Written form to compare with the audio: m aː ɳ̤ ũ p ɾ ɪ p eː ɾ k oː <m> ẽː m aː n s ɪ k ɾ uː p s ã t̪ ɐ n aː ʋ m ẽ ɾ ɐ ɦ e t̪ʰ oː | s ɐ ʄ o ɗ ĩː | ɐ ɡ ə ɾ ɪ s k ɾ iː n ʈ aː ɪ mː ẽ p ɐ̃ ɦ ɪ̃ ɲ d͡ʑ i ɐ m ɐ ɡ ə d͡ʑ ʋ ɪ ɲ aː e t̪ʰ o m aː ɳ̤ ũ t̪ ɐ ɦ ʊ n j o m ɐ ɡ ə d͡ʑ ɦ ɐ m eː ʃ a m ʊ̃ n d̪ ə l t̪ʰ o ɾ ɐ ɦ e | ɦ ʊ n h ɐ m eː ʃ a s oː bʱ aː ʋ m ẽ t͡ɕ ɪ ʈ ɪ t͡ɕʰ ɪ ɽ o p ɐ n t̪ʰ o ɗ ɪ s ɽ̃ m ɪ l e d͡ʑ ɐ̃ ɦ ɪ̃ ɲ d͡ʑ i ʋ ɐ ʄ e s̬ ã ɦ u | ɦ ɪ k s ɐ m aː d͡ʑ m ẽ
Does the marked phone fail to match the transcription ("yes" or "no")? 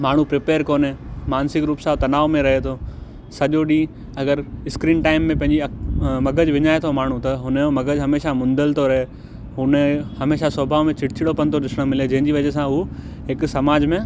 yes